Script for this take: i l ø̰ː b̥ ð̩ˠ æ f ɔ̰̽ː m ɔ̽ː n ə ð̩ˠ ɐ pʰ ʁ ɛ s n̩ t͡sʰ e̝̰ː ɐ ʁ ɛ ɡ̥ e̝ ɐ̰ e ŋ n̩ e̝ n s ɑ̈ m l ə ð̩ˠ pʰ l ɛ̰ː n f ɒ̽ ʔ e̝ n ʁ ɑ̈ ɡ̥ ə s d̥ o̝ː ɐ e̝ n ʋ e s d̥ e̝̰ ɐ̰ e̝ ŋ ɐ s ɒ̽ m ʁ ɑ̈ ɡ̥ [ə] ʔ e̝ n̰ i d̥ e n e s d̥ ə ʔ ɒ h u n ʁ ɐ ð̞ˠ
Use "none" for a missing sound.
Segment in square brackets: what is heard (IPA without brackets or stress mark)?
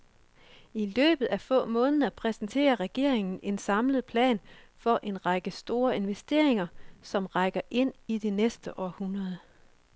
ɐ